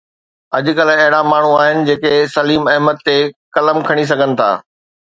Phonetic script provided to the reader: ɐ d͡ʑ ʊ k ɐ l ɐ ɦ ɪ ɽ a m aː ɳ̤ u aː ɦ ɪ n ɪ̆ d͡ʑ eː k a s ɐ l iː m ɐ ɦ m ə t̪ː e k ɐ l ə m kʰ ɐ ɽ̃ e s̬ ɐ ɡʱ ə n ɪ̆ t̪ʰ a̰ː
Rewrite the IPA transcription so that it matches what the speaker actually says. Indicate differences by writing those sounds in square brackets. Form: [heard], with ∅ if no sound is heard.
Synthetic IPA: ɐ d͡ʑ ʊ k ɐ l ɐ ɦ ɪ ɽ a m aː ɳ̤ u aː ɦ ɪ n ɪ̆ d͡ʑ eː k [e] s ɐ l iː m ɐ ɦ m ə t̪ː e k ɐ l ə m kʰ ɐ ɽ̃ [i] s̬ ɐ ɡʱ ə n ɪ̆ t̪ʰ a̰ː